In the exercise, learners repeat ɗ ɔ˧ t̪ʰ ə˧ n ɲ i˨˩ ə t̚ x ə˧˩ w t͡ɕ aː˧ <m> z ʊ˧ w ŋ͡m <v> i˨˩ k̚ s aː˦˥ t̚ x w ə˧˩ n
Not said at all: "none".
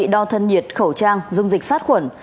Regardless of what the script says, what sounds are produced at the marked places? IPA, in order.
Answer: ŋ, z

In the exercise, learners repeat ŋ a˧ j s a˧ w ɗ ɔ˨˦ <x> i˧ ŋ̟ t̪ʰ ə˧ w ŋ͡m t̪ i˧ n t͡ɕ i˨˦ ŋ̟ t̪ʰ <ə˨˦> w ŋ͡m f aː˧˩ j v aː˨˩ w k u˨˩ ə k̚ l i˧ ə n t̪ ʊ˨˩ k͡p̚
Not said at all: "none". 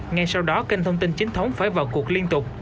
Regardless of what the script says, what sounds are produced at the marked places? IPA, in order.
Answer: k, ə˨˦

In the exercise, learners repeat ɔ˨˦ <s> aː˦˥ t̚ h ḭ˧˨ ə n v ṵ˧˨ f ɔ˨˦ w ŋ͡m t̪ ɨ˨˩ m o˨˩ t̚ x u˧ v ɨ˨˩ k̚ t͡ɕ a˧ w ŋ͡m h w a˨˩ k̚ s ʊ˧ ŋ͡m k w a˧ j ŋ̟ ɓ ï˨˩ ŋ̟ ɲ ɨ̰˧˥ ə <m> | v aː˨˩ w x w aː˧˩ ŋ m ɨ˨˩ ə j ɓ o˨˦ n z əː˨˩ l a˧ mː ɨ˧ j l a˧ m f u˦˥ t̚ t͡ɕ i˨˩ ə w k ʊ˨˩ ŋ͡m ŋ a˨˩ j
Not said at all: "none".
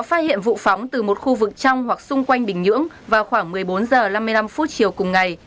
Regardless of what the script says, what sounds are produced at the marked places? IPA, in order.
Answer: f, ŋ

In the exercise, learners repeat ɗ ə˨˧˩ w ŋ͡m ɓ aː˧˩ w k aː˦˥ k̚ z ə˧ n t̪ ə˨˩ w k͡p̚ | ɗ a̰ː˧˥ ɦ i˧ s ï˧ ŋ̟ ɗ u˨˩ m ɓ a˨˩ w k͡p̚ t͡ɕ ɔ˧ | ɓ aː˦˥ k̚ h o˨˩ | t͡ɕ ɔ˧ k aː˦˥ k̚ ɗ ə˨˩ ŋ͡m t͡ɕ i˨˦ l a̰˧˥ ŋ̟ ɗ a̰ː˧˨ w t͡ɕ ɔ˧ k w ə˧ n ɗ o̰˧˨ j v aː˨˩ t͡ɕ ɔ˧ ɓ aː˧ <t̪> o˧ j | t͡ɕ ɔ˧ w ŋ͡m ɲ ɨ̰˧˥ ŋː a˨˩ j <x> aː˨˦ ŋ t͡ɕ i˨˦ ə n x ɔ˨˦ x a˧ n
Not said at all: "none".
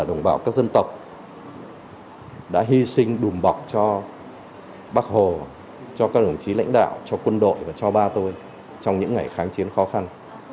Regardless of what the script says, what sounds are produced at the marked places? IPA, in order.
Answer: t̪, x

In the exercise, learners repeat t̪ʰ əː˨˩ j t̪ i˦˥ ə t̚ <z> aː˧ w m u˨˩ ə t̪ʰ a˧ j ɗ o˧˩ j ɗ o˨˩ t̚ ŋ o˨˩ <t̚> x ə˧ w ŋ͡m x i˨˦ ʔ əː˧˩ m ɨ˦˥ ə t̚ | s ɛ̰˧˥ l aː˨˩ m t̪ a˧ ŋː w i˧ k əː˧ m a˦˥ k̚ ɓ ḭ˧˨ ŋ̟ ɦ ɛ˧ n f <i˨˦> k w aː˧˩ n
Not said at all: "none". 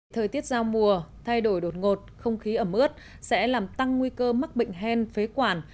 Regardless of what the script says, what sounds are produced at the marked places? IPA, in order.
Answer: z, t̚, e˨˦

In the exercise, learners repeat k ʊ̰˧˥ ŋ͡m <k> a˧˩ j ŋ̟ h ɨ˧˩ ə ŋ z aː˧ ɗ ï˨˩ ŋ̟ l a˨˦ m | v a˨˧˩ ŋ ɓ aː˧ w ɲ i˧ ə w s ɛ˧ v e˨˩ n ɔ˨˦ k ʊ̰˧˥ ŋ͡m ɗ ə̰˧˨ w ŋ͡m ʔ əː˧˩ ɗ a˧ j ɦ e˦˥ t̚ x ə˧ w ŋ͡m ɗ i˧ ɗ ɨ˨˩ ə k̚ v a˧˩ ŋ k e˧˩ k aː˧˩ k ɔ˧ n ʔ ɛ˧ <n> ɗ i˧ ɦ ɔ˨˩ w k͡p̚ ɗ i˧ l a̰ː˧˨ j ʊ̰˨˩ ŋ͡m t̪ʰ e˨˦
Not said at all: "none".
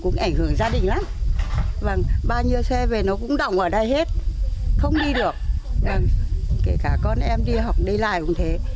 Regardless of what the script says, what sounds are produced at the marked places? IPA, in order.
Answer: ʔ, m

